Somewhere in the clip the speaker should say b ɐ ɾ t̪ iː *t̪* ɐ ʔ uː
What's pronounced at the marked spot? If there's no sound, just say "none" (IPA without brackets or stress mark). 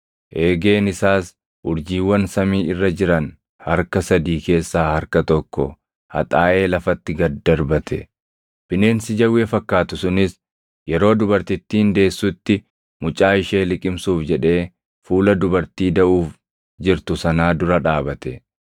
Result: d̪